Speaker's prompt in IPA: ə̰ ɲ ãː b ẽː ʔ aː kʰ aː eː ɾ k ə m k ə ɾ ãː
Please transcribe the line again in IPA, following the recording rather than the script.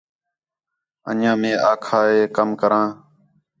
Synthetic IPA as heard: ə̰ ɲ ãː m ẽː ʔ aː kʰ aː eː k ə m k ə ɾ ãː